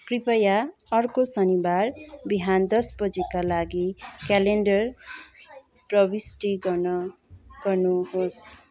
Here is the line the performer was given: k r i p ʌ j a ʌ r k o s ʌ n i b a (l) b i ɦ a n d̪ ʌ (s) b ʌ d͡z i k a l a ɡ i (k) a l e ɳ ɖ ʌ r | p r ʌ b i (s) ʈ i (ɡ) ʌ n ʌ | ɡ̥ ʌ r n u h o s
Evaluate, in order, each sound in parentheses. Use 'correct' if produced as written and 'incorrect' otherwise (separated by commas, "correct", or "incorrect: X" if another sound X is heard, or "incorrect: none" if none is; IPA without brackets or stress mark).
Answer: incorrect: r, correct, correct, correct, correct